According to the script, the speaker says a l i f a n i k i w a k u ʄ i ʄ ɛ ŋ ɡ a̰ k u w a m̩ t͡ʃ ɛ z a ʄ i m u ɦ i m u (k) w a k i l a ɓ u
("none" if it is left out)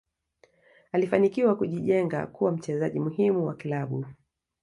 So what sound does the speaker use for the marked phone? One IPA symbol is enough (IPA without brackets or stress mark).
none